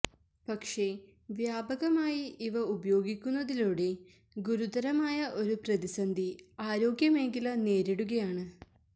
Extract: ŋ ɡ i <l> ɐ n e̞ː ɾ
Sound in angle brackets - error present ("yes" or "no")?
no